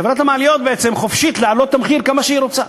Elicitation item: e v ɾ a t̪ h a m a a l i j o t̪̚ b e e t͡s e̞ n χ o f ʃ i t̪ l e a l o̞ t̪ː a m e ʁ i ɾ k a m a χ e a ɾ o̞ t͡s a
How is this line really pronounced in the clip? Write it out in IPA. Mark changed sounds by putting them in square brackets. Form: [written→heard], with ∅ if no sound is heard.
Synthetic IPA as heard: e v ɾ a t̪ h a m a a l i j o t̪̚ b e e t͡s e̞ [n→m] χ o f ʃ i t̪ l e a l o̞ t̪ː a m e [ʁ→χ] i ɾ k a m a [χ→ʃ] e [a→i] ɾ o̞ t͡s a

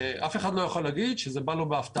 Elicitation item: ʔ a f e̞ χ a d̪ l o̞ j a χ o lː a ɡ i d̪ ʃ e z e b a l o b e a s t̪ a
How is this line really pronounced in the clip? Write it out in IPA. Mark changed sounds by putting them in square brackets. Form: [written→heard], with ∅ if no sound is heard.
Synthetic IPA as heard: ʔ a f e̞ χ a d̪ l o̞ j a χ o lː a ɡ i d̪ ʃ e z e b a l o b e a [s→f] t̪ a

